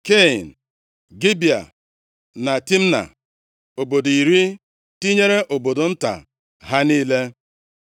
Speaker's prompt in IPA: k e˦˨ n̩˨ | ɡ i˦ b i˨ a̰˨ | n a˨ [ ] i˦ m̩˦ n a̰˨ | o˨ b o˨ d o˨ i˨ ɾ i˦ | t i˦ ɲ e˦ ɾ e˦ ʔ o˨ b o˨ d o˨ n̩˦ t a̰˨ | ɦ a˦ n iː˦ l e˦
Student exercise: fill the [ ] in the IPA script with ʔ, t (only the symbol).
t